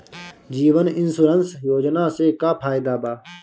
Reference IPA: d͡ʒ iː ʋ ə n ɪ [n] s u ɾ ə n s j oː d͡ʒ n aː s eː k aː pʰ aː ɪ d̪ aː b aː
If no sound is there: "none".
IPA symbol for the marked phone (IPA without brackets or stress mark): n